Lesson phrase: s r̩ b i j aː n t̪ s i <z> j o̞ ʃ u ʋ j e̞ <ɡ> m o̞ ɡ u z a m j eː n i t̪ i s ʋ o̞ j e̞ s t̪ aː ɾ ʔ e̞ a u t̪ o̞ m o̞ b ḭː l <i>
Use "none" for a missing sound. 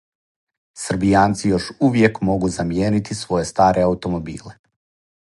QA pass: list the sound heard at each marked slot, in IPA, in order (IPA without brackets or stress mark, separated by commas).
none, k, e